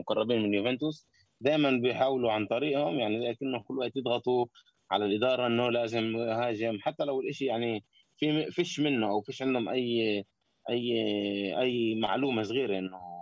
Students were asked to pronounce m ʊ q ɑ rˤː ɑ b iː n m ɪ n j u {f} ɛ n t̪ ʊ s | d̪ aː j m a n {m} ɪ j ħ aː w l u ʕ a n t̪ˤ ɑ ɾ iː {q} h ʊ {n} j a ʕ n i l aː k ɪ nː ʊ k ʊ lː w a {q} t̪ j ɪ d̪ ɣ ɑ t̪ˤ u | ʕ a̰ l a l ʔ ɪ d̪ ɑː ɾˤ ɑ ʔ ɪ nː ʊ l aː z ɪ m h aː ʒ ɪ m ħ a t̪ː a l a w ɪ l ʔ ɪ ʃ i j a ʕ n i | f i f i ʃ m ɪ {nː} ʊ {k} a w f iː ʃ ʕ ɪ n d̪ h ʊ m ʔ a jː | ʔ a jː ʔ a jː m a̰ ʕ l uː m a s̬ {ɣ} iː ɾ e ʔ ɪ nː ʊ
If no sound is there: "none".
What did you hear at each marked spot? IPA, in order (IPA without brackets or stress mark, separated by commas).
v, b, ʔ, m, ʔ, nː, ʔ, ɣ